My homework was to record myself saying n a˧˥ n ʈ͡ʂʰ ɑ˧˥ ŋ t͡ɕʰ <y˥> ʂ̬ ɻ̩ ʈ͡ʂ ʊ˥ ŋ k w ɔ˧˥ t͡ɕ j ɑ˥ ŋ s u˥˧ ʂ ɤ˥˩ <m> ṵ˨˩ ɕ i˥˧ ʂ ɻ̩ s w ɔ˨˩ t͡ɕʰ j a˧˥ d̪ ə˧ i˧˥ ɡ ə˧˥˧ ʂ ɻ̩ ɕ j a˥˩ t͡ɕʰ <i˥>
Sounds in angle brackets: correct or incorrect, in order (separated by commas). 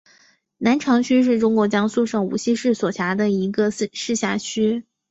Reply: correct, incorrect, incorrect